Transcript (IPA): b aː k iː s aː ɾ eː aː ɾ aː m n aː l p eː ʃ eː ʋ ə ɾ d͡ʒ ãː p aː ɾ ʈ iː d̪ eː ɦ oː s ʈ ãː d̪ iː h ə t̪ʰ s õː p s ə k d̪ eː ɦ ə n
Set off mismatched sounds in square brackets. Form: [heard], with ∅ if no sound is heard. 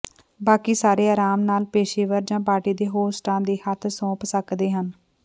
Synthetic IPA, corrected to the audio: b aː k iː s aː ɾ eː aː ɾ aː m n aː l p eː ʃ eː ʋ ə ɾ d͡ʒ ãː p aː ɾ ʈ iː d̪ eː ɦ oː s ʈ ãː d̪ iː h ə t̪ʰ s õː p s ə k d̪ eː ɦ ə n